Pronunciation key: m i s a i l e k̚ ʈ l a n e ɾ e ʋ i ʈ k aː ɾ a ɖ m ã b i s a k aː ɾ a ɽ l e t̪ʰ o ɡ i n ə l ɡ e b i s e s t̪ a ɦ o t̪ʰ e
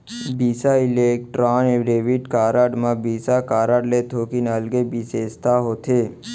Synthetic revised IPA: b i s a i l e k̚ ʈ ɾ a n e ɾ e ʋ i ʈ k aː ɾ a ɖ m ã b i s a k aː ɾ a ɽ l e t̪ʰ o k i n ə l ɡ e b i s e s t̪ a ɦ o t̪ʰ e